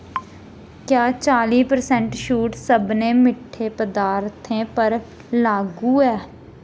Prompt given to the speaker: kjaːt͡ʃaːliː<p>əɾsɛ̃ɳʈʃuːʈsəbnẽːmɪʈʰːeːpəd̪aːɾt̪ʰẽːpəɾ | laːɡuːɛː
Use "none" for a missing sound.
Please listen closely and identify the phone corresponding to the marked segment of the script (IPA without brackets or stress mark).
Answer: p